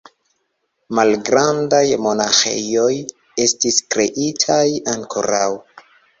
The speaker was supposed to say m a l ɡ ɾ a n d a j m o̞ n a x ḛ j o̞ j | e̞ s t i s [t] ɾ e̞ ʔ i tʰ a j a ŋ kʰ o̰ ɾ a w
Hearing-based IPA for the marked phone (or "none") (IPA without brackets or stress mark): k